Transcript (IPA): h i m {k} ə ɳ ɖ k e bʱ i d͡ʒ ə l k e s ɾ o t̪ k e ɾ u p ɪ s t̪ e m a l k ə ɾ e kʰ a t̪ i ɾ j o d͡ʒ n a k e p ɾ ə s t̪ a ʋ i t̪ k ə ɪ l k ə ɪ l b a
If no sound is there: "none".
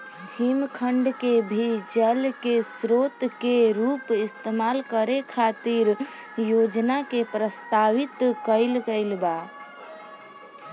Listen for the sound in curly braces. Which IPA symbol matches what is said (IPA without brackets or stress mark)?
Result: kʰ